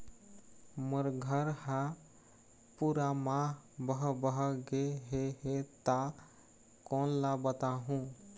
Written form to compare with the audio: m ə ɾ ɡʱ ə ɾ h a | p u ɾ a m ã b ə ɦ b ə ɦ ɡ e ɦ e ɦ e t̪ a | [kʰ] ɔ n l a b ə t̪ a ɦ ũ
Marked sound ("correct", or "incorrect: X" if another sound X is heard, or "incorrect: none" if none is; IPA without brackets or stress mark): incorrect: k